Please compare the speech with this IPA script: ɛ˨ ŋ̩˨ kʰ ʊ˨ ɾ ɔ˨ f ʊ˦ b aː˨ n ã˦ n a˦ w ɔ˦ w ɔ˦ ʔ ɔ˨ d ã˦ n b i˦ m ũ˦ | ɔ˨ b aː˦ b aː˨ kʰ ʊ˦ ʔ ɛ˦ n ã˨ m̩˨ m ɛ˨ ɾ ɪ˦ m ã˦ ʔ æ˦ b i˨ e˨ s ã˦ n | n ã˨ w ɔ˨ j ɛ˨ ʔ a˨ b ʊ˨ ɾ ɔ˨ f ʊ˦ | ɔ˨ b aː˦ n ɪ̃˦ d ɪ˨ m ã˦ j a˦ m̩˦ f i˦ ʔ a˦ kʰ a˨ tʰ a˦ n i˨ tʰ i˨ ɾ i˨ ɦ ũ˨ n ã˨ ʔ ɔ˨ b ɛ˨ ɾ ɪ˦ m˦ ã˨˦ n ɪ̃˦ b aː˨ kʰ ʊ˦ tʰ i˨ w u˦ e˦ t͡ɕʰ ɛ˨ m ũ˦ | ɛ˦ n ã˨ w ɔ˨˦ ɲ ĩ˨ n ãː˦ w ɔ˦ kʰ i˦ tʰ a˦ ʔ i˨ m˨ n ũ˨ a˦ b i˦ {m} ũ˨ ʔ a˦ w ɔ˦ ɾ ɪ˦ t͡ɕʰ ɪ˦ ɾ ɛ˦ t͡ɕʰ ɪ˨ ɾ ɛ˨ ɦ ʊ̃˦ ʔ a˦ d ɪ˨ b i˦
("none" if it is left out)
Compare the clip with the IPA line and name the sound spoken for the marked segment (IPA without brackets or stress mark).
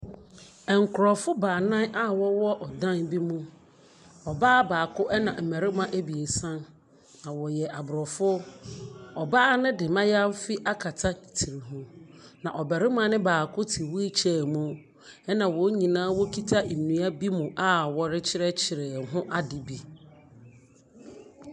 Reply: m